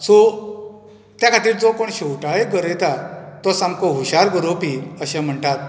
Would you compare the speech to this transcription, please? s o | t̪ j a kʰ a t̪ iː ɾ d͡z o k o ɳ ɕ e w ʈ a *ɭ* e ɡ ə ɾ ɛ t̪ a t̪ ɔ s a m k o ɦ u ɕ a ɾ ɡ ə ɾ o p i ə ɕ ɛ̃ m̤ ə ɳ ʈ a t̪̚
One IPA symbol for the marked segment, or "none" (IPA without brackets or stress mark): ɭ